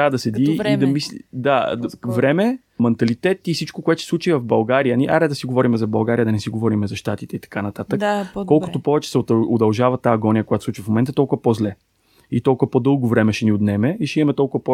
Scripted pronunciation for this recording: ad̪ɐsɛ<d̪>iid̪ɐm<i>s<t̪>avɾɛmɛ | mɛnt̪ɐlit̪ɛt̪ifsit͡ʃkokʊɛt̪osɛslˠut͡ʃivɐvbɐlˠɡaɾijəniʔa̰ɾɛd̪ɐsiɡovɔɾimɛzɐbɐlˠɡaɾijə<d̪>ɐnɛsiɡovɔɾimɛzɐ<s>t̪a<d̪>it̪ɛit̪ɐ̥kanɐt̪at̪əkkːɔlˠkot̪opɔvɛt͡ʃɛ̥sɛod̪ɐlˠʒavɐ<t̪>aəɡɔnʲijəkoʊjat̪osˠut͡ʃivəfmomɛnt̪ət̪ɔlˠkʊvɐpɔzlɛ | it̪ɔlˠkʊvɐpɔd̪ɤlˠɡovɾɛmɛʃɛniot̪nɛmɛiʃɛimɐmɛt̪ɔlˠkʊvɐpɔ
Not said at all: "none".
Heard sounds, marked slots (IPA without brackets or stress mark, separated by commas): d̪, i, d̪, d̪, ʃ, t̪, t̪